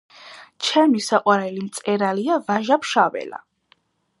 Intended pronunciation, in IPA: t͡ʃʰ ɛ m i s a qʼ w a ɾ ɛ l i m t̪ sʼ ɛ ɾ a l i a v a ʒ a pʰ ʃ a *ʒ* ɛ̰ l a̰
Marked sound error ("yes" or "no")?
yes